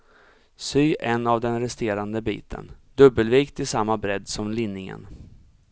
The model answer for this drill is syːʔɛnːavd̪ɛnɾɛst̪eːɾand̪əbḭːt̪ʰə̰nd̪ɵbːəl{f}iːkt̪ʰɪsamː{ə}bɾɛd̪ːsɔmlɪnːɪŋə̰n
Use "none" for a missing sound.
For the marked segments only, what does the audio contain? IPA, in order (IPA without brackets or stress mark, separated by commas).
v, a